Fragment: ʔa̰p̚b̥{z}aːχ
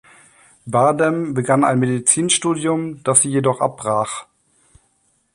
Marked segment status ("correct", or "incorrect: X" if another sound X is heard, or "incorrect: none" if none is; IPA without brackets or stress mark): incorrect: ʁ